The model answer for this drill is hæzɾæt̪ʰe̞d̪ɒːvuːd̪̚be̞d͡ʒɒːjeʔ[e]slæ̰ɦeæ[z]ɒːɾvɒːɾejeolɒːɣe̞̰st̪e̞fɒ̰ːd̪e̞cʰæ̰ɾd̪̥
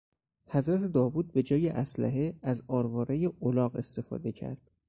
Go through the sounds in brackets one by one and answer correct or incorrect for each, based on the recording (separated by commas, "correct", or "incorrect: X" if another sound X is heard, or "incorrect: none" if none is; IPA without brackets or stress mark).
incorrect: æ, correct